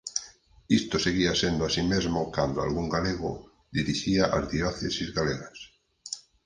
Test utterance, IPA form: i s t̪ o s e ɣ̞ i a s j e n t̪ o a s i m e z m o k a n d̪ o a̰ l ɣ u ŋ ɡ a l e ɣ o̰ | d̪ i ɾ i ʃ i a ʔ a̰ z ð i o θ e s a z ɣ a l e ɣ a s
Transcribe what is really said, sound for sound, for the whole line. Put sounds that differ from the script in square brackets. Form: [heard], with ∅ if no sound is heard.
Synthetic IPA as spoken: i s t̪ o s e ɣ̞ i a s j e n [d̪] o a s i m e z m o k a n d̪ o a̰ l ɣ u ŋ ɡ a l e ɣ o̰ | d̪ i ɾ i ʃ i a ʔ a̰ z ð i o θ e s [i] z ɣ a l e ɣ a s